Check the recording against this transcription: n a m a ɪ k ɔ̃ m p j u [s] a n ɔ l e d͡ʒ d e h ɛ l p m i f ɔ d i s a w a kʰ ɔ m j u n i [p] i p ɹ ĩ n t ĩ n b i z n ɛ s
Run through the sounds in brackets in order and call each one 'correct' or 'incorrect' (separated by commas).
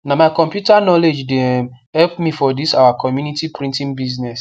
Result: incorrect, incorrect